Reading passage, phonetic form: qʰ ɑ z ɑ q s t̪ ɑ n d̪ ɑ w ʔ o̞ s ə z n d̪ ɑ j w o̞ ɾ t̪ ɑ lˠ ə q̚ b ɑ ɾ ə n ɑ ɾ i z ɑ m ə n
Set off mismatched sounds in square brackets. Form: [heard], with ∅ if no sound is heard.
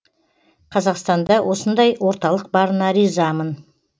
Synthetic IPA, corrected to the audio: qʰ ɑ z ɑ q s t̪ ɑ n d̪ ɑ w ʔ o̞ s ə [∅] n d̪ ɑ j w o̞ ɾ t̪ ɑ lˠ ə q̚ b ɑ ɾ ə n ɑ ɾ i z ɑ m ə n